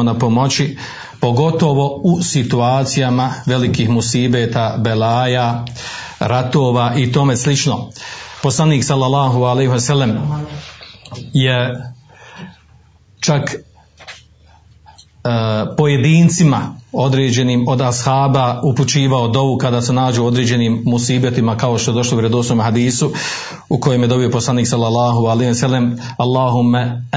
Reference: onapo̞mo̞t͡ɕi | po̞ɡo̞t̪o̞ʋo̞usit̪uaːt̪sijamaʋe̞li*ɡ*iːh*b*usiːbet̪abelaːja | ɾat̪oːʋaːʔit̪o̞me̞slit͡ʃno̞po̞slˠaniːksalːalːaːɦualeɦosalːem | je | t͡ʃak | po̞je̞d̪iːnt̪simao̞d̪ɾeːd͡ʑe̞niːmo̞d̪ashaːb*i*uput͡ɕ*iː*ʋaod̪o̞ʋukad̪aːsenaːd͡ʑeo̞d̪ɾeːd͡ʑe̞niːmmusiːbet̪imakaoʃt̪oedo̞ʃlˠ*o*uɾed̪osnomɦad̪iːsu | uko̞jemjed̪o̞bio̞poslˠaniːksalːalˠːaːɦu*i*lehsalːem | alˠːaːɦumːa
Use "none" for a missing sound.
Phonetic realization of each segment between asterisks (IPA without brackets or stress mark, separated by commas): k, m, a, iː, o, a